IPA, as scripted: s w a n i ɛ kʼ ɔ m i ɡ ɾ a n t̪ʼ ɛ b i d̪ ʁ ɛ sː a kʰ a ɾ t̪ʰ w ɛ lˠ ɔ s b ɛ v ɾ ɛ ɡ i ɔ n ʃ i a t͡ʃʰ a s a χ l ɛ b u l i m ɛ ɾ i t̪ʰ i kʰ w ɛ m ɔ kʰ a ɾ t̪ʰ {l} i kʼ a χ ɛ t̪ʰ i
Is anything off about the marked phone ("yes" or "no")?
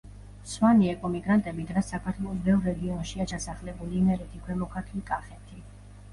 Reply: no